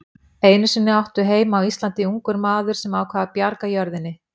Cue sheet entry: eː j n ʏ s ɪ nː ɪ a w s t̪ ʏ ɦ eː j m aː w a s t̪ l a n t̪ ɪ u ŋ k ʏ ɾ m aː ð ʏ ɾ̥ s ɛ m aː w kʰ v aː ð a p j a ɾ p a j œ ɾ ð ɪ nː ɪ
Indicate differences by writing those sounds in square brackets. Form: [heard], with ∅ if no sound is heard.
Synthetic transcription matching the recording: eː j n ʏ s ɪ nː ɪ a w [h] t̪ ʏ ɦ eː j m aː w [i] s t̪ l a n t̪ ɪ u ŋ k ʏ ɾ m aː ð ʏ ɾ̥ s ɛ m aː w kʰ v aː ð a p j a ɾ [k] a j œ ɾ ð ɪ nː ɪ